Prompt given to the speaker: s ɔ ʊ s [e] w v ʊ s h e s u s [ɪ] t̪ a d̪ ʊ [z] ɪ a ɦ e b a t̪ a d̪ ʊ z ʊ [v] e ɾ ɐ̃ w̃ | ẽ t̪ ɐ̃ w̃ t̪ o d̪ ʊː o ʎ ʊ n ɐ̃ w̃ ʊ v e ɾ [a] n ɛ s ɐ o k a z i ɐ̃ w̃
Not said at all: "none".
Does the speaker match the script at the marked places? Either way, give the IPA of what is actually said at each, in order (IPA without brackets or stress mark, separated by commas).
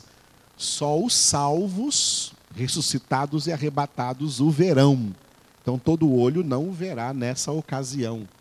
a, i, z, v, a